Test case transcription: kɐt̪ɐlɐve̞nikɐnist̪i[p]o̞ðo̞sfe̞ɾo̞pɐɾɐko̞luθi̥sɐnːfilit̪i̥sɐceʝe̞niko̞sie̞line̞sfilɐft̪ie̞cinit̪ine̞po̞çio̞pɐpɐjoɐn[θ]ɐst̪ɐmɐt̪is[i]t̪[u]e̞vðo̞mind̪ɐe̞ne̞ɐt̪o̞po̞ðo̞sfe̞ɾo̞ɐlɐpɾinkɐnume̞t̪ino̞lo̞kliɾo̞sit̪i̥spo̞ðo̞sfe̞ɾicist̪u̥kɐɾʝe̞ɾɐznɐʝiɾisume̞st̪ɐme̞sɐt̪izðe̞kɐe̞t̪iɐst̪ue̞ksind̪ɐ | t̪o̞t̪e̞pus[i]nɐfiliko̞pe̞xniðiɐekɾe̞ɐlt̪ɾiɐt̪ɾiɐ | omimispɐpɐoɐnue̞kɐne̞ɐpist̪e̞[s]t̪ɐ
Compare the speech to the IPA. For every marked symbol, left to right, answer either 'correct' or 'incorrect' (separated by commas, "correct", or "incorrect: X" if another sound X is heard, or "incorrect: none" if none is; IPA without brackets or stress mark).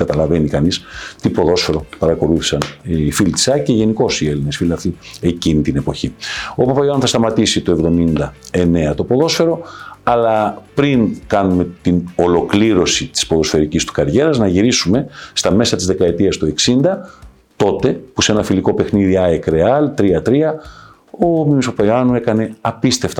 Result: correct, correct, correct, incorrect: o, incorrect: e, incorrect: f